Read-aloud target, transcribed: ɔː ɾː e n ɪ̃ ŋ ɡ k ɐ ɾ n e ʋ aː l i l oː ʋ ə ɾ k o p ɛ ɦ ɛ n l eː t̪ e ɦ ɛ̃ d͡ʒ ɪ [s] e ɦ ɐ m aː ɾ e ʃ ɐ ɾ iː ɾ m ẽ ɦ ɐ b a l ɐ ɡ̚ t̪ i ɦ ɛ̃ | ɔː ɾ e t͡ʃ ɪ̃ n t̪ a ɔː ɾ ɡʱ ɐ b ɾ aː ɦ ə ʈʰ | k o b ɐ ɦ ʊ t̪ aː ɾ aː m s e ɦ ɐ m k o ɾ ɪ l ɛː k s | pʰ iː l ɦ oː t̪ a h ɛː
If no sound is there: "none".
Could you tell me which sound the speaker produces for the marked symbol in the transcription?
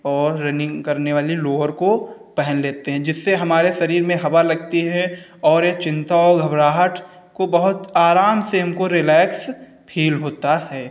sː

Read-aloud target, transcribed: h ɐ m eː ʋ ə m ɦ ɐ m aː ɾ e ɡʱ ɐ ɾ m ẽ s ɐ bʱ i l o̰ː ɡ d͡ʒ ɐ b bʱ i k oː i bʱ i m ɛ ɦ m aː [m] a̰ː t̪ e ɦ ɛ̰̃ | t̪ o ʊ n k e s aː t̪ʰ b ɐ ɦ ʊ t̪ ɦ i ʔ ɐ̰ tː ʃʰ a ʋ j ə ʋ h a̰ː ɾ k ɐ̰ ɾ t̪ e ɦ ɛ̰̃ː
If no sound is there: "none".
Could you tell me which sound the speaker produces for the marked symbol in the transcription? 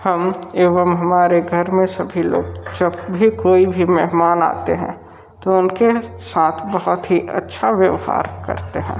n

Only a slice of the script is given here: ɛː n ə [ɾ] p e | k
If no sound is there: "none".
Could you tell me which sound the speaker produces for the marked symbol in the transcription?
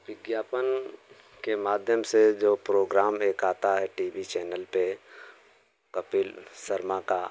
l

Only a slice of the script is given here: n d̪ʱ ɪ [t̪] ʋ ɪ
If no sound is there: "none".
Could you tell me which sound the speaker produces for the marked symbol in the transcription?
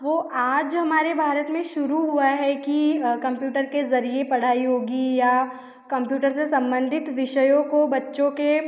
t̪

